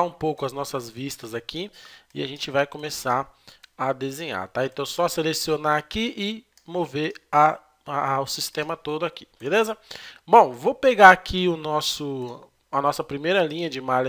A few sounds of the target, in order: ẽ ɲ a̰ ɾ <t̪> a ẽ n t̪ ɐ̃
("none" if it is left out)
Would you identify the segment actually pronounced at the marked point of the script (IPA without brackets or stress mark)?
t̪